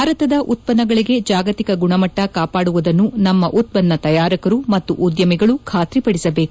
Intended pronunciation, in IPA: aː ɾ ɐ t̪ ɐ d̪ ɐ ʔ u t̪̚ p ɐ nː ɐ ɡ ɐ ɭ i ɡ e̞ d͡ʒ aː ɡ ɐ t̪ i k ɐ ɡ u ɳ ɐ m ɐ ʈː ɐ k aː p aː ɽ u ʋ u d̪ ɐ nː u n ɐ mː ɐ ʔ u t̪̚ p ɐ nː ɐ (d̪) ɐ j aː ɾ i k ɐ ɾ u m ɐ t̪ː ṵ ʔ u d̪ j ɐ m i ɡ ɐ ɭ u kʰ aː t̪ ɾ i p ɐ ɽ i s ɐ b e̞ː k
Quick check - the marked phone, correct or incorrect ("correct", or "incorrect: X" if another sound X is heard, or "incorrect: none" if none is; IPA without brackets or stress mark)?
incorrect: t̪